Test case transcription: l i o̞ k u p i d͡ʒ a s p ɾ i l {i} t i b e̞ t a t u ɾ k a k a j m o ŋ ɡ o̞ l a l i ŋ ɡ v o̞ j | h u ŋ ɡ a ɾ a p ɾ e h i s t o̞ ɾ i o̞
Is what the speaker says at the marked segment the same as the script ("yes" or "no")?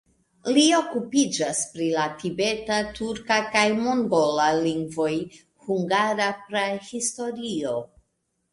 no